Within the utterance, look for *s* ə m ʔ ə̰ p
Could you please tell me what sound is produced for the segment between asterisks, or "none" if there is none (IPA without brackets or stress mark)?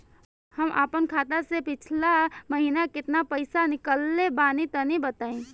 h